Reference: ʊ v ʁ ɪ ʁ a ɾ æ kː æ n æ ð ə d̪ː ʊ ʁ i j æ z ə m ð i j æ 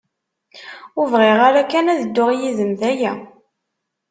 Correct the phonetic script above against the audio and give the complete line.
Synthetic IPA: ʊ v ʁ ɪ ʁ a ɾ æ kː æ n æ ð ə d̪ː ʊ ʁ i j i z ə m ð æ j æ

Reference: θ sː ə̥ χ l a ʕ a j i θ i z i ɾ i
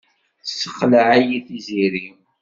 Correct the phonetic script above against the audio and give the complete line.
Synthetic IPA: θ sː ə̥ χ l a ʕ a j i θ i z i ɾ i

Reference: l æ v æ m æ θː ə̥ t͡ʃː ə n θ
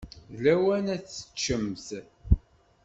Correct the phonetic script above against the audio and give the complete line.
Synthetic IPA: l æ w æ n æ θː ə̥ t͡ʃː ə m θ

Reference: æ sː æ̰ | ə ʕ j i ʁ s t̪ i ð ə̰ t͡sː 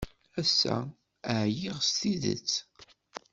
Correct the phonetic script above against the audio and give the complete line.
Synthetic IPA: æ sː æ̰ | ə ʕ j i ʁ s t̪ i ð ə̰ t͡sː

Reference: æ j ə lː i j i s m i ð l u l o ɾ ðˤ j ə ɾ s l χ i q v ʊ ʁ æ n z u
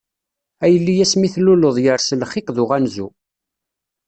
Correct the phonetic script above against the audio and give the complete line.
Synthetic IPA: æ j ə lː i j æ s m i θ l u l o ðˤ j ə ɾ s l χ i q ð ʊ ʁ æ n z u

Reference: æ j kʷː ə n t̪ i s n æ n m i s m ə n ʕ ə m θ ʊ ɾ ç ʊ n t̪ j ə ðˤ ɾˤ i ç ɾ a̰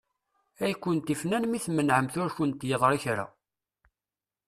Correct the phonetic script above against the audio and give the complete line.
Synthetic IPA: æ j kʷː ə n t̪ i f n æ n m i θ m ə n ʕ ə m θ ʊ ɾ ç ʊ n t̪ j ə ðˤ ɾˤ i ç ɾ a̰

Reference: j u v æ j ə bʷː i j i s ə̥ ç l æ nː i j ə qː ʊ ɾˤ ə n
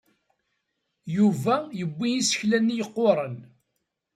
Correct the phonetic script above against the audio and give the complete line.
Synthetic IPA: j u v æ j ə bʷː i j i s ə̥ ç l æ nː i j ə qː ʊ ɾˤ ə n

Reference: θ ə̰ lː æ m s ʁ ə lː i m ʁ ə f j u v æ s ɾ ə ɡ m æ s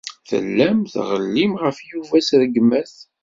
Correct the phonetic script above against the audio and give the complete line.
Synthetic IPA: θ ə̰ lː æ m θ ʁ ə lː i m ʁ ə f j u v æ s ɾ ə ɡ m æ θ

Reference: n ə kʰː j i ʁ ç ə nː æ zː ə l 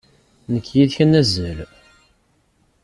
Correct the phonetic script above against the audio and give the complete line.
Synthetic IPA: n ə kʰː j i ð ç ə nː æ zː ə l

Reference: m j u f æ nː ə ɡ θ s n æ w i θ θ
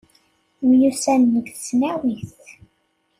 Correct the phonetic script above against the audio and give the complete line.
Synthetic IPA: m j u s æ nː ə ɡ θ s n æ w i θ θ

